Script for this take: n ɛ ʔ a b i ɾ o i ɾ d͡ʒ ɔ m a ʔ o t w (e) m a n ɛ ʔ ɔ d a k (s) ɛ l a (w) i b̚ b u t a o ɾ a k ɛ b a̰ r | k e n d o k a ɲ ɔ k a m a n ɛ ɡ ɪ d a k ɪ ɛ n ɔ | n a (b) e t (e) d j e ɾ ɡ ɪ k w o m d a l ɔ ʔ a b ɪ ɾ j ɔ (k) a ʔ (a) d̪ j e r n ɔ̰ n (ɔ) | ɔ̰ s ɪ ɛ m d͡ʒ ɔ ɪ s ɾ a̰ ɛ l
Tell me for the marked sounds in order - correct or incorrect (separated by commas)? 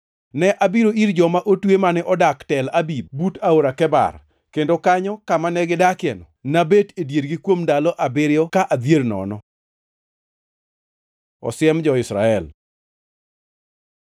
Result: correct, incorrect, incorrect, correct, correct, correct, correct, correct